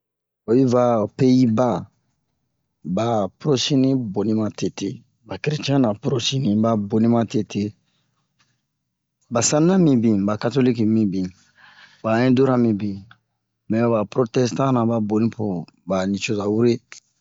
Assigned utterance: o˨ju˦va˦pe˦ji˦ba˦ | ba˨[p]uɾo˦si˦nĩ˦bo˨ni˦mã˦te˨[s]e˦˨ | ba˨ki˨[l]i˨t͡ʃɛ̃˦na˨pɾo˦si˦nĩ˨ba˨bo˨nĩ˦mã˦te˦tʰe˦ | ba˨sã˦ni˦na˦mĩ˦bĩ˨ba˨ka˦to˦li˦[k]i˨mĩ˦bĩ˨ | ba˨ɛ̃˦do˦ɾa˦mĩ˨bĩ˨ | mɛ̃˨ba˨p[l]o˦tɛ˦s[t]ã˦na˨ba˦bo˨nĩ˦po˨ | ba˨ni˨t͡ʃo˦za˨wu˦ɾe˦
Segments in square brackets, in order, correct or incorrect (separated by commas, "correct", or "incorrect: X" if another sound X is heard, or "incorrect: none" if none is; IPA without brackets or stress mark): correct, incorrect: t, incorrect: ɾ, correct, incorrect: ɾ, correct